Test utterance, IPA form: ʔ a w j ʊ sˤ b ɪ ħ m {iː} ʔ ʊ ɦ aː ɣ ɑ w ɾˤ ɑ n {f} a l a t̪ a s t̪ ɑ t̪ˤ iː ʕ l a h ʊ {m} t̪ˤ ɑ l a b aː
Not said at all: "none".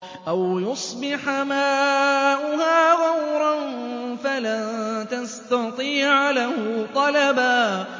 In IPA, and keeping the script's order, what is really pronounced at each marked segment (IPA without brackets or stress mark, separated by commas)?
aː, f, none